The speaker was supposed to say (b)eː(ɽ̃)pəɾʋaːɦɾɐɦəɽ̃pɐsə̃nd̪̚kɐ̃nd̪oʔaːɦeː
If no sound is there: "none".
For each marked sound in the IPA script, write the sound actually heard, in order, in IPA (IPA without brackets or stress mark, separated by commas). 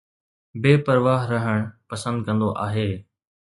b, none